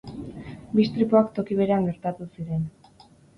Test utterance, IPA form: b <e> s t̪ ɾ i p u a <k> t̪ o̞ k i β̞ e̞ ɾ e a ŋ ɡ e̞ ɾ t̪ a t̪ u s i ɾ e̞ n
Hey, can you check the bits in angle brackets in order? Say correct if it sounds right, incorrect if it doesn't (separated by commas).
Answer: incorrect, correct